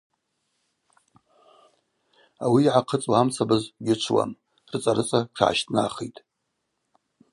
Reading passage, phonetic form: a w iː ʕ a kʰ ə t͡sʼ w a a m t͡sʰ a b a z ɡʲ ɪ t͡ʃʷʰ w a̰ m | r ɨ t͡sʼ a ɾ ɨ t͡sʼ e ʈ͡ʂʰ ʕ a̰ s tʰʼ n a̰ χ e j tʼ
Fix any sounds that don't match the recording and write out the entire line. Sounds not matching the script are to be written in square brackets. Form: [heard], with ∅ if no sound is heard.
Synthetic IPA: a w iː ʕ a [qʰ] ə t͡sʼ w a a m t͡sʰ a b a z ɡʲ ɪ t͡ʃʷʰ w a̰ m | r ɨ t͡sʼ a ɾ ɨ t͡sʼ [a] ʈ͡ʂʰ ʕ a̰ [ʃ] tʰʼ n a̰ χ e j tʼ